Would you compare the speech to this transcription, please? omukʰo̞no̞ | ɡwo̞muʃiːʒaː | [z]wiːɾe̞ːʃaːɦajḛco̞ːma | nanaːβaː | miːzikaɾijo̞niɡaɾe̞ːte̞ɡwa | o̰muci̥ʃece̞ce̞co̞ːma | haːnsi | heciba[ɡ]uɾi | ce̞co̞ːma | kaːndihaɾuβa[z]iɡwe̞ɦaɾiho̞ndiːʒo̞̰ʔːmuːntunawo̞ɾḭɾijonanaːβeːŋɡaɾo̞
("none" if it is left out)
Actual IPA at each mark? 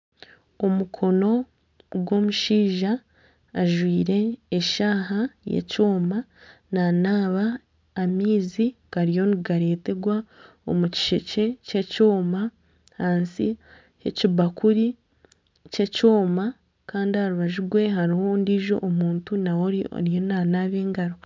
ʒ, k, ʒ

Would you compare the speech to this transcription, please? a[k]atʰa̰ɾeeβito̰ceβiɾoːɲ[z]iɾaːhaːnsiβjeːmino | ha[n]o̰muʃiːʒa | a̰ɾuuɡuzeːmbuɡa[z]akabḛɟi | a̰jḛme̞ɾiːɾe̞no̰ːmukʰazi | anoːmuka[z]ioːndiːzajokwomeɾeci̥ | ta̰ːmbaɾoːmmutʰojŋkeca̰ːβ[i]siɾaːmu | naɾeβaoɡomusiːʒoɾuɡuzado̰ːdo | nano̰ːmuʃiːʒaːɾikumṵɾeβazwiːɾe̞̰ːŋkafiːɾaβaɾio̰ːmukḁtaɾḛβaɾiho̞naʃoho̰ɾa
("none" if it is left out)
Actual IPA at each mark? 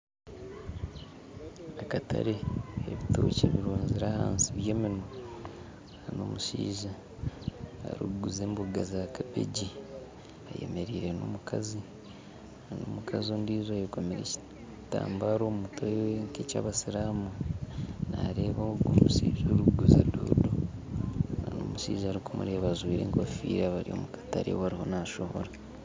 k, z, n, z, z, a

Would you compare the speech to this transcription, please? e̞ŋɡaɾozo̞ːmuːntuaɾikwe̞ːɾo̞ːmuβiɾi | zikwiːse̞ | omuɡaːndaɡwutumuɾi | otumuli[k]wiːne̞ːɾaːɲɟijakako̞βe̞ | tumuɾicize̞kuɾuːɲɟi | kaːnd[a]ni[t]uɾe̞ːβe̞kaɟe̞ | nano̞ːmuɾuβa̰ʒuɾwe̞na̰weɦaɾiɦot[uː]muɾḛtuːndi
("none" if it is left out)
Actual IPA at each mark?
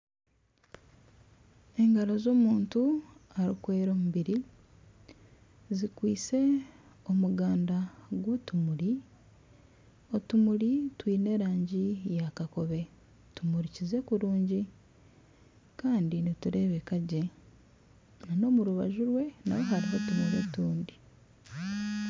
t, i, t, u

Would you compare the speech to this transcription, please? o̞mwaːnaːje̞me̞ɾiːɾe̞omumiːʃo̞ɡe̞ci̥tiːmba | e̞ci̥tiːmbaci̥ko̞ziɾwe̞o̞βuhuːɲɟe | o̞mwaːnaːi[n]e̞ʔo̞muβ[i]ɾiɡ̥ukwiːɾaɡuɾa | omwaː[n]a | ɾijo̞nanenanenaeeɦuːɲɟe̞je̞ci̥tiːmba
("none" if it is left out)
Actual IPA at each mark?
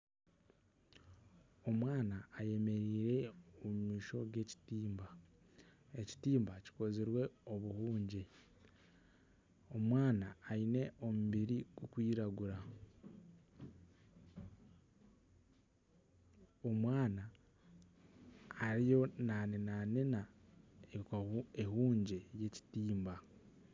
n, i, n

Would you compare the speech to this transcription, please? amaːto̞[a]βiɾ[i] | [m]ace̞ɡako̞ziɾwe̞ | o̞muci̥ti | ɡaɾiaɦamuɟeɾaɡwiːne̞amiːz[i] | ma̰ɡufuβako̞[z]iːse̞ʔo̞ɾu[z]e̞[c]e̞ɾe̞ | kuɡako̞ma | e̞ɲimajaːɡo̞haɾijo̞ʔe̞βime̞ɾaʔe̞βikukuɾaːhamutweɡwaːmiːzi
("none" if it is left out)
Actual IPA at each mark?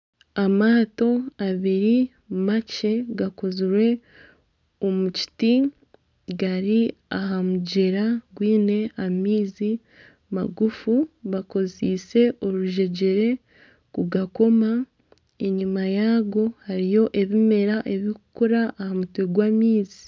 a, i, m, i, z, ʒ, ɟ

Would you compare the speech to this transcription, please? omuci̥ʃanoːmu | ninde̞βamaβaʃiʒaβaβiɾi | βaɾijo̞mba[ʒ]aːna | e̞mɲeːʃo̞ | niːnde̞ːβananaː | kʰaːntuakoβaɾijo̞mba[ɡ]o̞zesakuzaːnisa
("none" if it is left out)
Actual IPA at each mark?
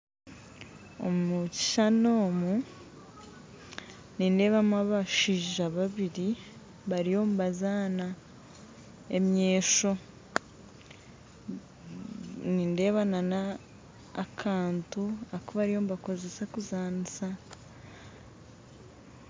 z, k

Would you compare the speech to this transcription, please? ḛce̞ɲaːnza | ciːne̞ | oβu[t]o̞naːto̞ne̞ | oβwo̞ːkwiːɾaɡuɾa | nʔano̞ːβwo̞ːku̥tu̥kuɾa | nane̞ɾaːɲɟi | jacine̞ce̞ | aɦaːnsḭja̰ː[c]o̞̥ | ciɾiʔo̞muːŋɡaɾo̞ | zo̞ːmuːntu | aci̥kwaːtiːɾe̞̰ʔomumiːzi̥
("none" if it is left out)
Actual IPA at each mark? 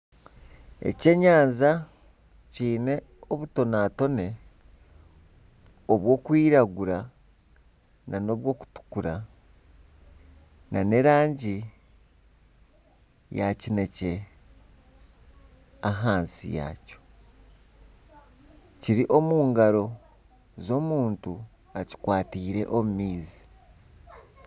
t, c

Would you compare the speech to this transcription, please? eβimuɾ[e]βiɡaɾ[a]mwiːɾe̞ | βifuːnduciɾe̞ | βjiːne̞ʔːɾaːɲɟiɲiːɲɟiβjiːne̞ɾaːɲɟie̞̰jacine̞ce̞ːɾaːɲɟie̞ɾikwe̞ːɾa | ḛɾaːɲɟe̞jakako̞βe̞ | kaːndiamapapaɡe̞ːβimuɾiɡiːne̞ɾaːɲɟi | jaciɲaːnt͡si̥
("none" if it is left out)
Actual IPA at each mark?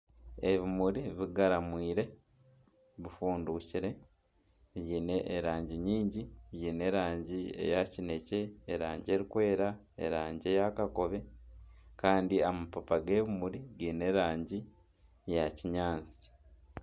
i, a

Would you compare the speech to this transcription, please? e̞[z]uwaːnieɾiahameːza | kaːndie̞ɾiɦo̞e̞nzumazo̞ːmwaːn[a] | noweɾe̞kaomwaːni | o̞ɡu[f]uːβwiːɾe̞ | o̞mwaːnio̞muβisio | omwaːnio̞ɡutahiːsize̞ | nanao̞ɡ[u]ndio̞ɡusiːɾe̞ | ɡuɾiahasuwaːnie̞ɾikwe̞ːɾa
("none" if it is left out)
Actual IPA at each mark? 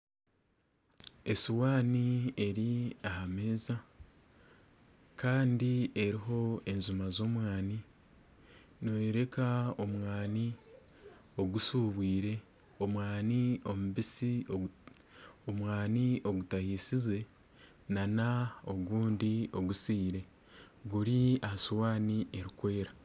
s, i, s, uː

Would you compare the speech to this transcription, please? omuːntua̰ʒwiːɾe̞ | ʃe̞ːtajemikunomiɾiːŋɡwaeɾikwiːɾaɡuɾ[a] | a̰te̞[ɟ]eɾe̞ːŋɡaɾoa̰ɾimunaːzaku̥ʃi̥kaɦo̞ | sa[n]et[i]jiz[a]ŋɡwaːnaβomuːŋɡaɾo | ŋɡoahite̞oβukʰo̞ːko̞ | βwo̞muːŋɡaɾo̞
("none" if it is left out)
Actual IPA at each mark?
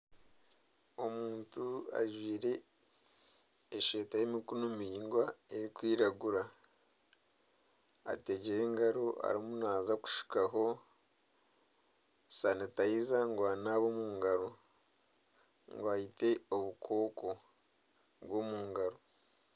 a, ɟ, n, a, a

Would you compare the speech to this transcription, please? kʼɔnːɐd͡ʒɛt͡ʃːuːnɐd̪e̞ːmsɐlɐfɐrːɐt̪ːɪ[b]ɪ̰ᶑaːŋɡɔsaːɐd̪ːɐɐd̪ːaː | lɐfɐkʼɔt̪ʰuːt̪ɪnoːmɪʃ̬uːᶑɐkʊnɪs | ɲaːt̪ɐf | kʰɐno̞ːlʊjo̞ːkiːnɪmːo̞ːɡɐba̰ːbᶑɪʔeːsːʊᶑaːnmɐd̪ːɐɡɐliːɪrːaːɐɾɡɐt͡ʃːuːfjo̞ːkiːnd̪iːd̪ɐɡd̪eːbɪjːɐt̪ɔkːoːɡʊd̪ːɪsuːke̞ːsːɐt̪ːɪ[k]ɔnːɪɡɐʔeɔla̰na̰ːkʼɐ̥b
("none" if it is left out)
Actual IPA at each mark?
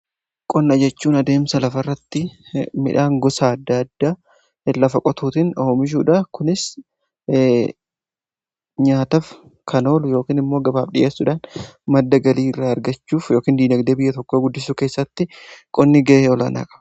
m, kʼ

